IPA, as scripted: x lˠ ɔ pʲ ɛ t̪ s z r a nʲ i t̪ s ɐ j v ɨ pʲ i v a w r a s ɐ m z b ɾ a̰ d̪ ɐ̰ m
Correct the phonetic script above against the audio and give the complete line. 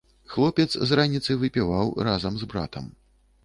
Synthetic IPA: x lˠ ɔ pʲ ɛ t̪ s z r a nʲ i t̪ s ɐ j v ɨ pʲ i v a w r a z ɐ m z b ɾ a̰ t̪ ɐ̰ m